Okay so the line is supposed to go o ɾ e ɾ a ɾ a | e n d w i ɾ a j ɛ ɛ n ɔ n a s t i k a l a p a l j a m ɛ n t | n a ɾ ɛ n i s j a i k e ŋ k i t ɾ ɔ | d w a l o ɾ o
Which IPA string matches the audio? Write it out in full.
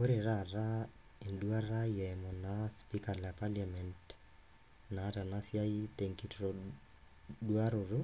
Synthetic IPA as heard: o ɾ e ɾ a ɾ a | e n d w a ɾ a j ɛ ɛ m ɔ n a s p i k a l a p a l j a m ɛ n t | n a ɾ a n a s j a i t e ŋ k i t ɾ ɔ | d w a ɾ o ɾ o

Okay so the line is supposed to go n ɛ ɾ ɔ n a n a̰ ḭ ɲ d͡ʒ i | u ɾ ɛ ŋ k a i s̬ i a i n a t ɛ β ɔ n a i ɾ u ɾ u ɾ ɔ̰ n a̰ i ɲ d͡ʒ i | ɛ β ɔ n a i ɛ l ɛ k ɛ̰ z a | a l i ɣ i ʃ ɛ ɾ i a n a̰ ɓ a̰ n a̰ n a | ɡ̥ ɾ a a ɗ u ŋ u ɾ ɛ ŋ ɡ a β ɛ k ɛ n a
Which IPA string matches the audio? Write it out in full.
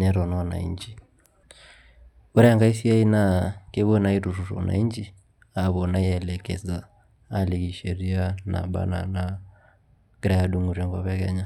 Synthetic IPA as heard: n ɛ ɾ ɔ n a n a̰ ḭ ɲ d͡ʒ i | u ɾ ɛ ŋ ɡ a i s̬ i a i n a k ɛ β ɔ n a i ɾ u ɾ u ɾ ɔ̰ n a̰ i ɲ d͡ʒ i | a β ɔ n a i ɛ l ɛ k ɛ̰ z a | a l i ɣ i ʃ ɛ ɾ i a n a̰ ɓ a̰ n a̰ n a | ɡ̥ ɾ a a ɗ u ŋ u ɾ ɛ ŋ ɡ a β ɛ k ɛ ɲ a

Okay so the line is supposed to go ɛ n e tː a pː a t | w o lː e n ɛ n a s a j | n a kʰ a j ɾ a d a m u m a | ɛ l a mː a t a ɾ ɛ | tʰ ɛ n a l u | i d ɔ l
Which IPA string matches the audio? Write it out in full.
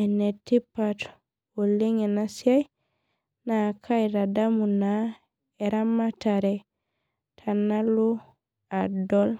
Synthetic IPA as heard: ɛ n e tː i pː a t | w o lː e ŋ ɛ n a s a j | n a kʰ a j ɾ a d a m u n a | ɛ ɾ a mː a t a ɾ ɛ | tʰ a n a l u | a d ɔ l

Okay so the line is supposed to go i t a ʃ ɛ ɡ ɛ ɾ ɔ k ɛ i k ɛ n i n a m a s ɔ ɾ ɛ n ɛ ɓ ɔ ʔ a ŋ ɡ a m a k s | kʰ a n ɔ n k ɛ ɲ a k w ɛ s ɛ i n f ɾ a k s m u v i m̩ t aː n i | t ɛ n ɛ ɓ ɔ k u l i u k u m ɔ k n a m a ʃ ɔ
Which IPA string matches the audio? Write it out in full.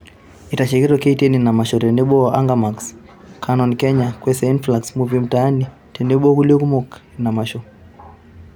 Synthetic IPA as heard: i t a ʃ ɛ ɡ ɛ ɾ ɔ k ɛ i t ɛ n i n a m a ʃ ɔ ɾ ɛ n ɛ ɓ ɔ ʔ a ŋ ɡ a m a k s | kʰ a n ɔ n k ɛ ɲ a k w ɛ s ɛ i n f l a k s m u v i m̩ t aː n i | t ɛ n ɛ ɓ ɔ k u l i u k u m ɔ k n a m a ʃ ɔ

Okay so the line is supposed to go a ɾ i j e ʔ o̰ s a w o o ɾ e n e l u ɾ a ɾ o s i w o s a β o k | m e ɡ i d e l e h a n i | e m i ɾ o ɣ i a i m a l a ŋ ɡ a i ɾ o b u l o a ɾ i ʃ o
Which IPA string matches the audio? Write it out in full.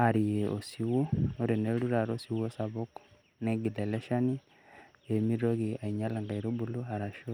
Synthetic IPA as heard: a ɾ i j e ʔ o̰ s i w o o ɾ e n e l u ɾ a ɾ o s i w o s a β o k | n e ɡ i d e l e ʃ a n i | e m i ɾ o ɣ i a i ɲ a l a ŋ ɡ a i ɾ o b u l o a ɾ a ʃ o

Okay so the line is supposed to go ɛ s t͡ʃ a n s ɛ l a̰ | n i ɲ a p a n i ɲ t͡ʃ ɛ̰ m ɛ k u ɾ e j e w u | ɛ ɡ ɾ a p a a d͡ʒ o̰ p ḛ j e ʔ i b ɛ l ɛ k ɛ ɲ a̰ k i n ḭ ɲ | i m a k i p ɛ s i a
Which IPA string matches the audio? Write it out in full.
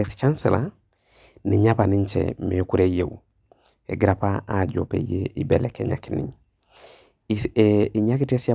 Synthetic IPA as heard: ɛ s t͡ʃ a n s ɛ l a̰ | n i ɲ a p a n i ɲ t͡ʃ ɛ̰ m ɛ k u ɾ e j e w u | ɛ ɡ ɾ a p a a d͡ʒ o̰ p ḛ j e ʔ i b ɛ l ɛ k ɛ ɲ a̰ k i n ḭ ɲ | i ɲ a k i t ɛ s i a

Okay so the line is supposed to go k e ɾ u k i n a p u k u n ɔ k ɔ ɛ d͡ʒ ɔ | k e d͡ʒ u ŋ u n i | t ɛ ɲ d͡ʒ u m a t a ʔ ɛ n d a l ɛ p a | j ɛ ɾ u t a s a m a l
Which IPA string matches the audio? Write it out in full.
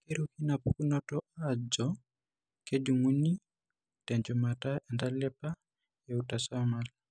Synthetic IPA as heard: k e ɾ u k i n a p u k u n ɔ t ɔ a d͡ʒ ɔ | k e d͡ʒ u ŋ u n i | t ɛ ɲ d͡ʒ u m a t a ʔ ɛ n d a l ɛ p a | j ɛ u t a s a m a l

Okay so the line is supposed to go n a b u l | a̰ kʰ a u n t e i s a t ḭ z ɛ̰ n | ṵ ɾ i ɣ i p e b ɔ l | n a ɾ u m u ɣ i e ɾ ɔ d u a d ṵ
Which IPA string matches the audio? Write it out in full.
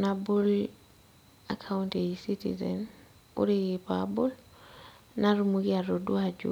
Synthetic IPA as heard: n a b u l | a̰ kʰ a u n t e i s i t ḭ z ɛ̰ n | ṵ ɾ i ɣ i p a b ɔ l | n a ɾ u m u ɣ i a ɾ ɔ d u a d͡ʒ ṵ

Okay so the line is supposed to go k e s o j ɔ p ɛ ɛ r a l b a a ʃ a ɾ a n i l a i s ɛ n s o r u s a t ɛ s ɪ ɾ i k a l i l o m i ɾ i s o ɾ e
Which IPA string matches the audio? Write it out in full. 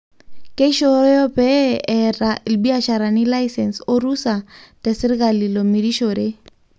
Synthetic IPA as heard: k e ʃ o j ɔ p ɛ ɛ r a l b i a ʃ a ɾ a n i l a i s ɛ n s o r u s a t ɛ s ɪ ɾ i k a l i l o m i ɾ i ʃ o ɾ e

